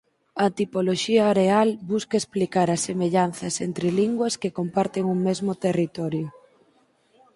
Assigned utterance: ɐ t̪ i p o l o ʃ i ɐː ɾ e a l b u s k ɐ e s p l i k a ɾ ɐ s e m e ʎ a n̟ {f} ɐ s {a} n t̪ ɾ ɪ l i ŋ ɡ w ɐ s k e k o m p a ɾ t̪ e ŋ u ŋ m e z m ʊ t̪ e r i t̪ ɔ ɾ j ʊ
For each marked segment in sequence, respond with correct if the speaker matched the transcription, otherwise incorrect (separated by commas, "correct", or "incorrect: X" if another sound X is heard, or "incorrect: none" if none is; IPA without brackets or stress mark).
incorrect: θ, incorrect: e